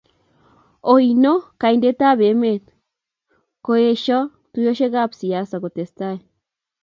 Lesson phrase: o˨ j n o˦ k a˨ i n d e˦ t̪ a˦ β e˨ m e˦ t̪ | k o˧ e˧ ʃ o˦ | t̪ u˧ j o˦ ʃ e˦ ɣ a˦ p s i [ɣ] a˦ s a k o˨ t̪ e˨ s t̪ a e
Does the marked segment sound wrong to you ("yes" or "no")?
yes